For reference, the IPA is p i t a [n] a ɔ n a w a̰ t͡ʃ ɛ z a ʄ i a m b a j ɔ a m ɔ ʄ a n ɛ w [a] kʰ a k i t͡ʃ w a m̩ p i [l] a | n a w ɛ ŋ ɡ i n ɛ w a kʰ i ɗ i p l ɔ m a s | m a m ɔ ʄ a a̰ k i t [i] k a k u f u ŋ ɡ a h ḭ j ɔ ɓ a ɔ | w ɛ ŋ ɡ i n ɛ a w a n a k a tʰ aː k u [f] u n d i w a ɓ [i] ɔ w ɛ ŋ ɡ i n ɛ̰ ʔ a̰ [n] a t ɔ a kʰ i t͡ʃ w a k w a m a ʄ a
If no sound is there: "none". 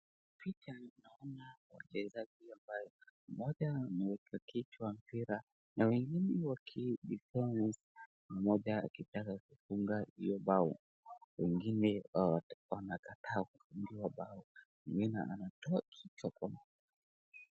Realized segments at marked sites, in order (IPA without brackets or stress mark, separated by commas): n, ɛ, ɾ, a, f, a, n